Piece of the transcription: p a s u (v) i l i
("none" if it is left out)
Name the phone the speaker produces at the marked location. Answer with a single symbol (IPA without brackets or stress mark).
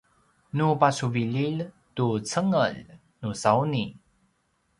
v